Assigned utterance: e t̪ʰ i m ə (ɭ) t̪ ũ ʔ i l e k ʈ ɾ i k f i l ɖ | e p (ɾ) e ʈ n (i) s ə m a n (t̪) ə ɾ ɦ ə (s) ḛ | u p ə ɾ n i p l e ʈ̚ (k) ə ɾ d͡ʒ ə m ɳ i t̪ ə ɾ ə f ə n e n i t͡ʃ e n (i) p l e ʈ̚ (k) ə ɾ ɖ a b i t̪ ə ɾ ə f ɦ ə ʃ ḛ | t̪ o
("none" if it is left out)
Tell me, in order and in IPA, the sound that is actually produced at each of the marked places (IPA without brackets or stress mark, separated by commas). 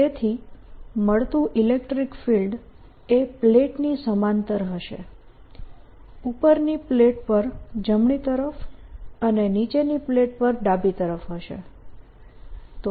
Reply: ɭ, l, i, t̪, ʃ, p, i, p